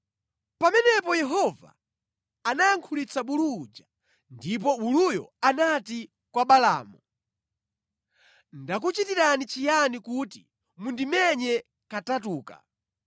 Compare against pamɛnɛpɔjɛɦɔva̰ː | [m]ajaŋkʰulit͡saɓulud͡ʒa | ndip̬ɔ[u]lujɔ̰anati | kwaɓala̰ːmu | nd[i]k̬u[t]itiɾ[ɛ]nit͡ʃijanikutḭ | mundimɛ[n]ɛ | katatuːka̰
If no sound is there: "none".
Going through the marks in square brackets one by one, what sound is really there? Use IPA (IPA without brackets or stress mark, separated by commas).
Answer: n, u, a, t͡ʃ, a, ɲ